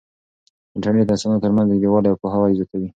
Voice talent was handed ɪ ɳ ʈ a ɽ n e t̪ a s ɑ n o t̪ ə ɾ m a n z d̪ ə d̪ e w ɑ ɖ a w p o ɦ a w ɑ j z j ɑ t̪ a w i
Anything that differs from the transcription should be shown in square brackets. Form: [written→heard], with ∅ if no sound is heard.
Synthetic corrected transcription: ɪ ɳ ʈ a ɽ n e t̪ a s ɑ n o t̪ ə ɾ m a n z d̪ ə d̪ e w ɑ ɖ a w p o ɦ a w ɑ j z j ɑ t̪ a w i